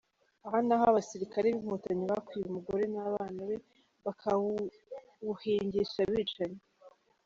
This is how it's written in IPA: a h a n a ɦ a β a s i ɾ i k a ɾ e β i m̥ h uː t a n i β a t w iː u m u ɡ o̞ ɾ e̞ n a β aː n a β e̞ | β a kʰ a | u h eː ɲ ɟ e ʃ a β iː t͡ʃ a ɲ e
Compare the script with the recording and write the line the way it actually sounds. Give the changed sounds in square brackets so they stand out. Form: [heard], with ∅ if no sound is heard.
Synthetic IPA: a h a n a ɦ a β a s i ɾ i k a ɾ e β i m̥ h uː t a [ɲ] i β a [k] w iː u m u ɡ o̞ ɾ e̞ n a β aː n a β e̞ | β a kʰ a | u h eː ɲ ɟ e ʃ a β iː t͡ʃ a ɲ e